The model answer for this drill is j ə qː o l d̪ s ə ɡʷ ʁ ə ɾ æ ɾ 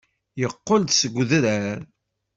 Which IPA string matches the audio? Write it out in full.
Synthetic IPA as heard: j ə qː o l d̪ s ə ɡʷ ð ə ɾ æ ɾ